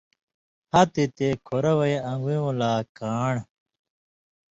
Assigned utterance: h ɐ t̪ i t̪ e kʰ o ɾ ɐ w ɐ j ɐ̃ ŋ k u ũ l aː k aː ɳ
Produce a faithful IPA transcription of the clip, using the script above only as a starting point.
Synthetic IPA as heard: h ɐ t̪ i t̪ e kʰ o ɾ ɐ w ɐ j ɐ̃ ŋ ɡ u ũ l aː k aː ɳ